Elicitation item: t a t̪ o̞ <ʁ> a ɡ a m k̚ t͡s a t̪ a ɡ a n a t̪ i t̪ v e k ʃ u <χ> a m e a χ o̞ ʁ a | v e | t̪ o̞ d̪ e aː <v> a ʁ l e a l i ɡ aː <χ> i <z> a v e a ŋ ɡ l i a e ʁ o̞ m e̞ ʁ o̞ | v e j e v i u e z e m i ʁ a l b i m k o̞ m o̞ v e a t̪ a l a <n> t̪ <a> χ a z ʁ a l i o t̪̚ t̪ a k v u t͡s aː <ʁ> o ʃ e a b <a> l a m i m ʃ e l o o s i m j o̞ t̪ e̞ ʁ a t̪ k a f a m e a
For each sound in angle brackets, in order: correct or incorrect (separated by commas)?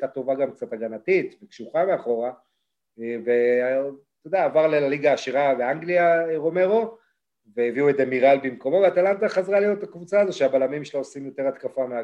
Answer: incorrect, correct, correct, incorrect, incorrect, correct, correct, incorrect, correct